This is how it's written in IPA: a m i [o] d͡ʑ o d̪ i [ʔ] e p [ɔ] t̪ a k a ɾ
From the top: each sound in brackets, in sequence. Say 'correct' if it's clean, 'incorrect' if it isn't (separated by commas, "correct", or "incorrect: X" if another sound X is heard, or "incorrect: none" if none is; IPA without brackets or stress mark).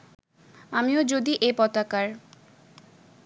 correct, correct, correct